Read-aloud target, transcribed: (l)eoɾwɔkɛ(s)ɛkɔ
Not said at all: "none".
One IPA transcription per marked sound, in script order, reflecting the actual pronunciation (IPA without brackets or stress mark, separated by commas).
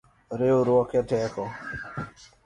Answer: ɾ, t